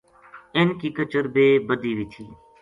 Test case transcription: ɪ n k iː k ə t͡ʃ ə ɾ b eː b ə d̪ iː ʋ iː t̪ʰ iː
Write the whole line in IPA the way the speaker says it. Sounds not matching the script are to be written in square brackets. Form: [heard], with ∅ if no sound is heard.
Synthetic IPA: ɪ n k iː k ə t͡ʃ ə ɾ b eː b ə d̪ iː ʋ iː t̪ʰ iː